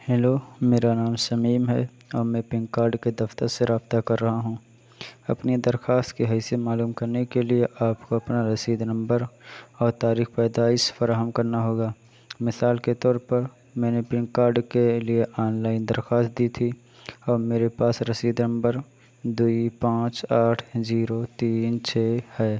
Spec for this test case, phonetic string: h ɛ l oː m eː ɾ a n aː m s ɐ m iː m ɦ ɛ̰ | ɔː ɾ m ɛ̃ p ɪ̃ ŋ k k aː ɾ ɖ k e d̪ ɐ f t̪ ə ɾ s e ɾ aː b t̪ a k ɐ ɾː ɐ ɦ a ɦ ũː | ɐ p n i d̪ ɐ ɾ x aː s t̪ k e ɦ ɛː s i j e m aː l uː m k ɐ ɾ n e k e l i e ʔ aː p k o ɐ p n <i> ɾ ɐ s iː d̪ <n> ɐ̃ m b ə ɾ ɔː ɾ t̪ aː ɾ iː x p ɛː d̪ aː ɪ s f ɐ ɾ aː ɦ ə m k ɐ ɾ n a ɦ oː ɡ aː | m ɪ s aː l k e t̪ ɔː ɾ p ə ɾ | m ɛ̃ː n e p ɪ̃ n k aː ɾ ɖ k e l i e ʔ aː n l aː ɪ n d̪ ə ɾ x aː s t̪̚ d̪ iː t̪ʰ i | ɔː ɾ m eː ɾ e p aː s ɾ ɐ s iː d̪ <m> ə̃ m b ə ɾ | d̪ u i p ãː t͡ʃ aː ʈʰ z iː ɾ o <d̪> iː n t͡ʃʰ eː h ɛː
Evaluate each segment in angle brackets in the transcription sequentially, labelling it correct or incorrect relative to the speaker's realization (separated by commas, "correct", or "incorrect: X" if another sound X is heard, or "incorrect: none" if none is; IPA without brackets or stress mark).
incorrect: a, correct, incorrect: n, incorrect: t̪